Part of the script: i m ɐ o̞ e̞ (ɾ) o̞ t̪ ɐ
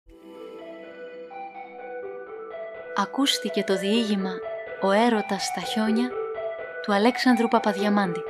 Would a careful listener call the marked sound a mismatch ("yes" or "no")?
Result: no